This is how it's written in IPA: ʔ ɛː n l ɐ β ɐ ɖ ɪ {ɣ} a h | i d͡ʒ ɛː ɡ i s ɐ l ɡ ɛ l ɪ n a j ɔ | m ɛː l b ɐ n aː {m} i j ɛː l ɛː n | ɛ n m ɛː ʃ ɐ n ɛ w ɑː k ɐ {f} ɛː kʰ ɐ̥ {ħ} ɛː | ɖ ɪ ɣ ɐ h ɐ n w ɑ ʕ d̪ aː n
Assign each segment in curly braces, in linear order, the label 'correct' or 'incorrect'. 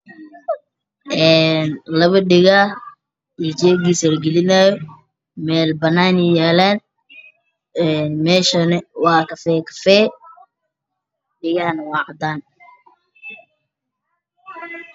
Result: correct, incorrect: n, correct, incorrect: f

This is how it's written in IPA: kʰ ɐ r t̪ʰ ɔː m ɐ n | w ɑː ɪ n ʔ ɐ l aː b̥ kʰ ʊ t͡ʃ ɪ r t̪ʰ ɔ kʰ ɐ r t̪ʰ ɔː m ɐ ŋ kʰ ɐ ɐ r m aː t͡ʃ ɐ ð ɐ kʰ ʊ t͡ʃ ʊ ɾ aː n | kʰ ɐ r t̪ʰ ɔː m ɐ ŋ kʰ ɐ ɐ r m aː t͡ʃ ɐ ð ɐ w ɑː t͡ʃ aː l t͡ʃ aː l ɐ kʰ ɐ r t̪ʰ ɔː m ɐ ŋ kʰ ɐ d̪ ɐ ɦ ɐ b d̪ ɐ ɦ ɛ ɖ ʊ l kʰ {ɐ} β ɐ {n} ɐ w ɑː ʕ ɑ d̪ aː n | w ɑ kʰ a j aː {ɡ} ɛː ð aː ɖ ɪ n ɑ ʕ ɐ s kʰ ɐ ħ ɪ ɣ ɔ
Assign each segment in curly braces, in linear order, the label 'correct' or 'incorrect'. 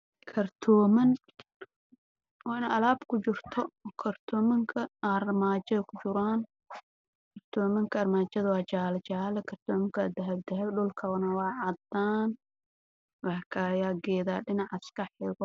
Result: correct, correct, correct

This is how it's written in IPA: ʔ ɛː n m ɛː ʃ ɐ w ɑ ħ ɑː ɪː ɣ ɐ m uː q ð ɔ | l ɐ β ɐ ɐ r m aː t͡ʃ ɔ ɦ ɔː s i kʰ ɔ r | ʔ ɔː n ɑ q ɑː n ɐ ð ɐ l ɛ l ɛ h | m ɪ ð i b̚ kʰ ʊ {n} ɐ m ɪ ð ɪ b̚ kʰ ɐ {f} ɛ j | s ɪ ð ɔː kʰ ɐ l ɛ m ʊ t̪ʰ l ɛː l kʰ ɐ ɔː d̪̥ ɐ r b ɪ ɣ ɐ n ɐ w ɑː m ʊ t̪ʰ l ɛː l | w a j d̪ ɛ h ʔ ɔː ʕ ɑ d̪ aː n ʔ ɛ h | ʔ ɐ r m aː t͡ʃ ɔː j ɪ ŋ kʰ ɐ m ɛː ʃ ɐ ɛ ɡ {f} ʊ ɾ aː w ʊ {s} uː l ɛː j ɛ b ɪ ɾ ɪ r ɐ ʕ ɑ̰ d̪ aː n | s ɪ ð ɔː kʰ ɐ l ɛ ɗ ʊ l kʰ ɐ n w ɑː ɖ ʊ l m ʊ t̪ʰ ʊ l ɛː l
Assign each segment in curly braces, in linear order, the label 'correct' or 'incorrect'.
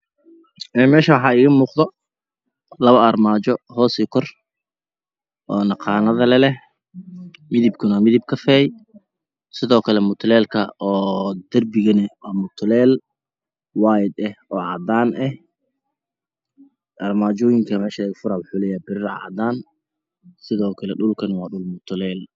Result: correct, correct, correct, incorrect: ħ

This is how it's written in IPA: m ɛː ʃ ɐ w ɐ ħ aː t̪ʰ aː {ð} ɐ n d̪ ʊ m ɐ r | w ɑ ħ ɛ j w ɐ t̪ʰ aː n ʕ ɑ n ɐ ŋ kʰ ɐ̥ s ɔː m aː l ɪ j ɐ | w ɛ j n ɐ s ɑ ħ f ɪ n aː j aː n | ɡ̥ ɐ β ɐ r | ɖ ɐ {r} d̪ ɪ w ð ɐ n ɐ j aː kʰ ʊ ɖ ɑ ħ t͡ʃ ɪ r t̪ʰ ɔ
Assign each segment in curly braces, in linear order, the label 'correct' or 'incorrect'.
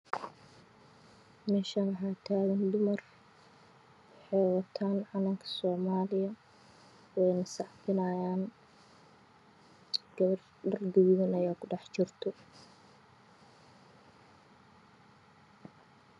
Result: incorrect: ɣ, correct

